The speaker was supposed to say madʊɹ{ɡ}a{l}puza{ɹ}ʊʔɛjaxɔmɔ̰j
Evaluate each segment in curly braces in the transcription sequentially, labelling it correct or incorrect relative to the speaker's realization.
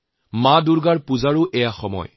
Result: correct, incorrect, correct

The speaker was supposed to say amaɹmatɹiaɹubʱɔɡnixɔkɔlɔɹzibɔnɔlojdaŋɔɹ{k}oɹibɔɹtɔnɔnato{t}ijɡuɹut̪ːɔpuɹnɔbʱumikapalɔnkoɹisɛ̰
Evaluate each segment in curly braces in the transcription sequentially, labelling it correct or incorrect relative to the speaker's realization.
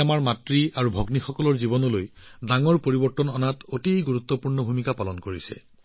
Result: incorrect, correct

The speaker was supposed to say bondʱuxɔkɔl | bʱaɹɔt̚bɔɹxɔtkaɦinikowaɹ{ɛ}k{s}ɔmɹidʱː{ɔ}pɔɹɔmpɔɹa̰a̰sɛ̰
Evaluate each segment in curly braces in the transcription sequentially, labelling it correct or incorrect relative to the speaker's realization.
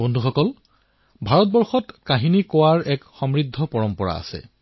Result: correct, incorrect, correct

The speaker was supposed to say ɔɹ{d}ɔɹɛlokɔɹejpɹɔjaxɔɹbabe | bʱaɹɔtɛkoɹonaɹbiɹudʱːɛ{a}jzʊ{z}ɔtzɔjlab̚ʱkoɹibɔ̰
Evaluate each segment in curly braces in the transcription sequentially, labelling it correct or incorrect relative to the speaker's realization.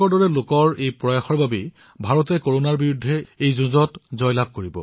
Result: correct, incorrect, correct

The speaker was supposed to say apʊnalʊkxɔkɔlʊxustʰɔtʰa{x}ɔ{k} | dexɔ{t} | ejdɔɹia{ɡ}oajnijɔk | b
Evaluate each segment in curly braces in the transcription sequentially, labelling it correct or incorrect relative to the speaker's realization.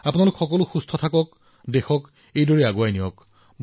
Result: incorrect, correct, incorrect, correct

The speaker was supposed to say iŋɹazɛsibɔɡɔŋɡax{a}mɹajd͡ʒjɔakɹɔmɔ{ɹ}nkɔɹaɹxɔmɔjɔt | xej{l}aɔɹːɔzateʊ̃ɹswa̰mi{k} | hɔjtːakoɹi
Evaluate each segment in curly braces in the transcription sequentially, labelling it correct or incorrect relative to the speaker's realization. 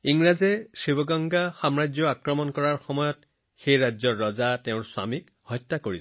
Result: correct, incorrect, incorrect, correct

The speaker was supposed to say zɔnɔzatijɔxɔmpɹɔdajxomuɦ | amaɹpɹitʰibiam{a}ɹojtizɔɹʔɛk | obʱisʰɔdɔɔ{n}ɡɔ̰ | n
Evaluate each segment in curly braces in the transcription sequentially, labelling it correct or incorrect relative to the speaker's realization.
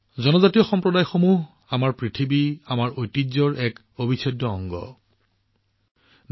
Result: correct, incorrect

